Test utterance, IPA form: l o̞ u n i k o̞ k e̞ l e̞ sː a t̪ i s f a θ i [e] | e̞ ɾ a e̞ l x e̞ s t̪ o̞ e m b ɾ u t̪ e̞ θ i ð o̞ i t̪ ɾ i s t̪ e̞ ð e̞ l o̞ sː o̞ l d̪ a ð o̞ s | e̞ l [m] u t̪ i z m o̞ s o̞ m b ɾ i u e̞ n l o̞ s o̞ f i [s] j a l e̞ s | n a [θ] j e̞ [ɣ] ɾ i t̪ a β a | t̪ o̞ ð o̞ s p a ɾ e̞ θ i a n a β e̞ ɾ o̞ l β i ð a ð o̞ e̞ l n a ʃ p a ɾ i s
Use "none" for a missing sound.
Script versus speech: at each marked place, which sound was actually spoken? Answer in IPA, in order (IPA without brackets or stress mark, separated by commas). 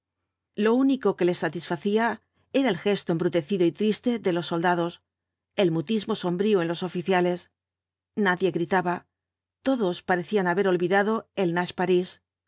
a, m, θ, ð, ɣ